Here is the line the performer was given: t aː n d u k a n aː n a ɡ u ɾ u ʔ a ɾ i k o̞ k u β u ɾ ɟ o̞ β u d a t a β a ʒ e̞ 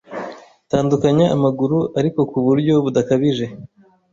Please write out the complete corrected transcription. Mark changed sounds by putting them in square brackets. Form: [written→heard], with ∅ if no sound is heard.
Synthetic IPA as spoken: t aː n d u k a [n→ɲ] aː [n→m] a ɡ u ɾ u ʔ a ɾ i k o̞ k u β u ɾ ɟ o̞ β u d a [t→k] a β [a→i] ʒ e̞